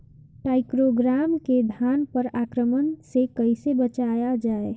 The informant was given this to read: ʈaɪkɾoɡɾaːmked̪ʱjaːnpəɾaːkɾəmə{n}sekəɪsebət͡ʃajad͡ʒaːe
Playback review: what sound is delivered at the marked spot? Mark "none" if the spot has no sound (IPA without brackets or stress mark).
n